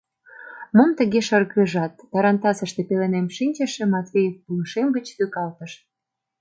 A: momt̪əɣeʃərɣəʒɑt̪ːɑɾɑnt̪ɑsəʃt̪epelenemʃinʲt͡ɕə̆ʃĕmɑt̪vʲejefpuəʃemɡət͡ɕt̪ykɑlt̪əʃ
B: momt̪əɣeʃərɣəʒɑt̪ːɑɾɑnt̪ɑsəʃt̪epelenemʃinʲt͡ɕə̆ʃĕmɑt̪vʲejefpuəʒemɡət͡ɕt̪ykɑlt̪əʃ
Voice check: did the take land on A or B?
A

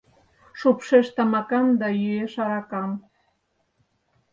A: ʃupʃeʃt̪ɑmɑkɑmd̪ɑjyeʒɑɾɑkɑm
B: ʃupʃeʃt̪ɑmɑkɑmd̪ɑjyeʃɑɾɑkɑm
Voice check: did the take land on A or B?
B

